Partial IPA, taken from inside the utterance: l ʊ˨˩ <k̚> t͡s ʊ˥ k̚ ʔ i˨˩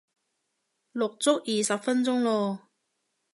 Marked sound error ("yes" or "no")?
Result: no